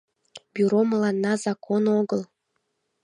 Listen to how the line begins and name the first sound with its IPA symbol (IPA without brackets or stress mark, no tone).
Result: b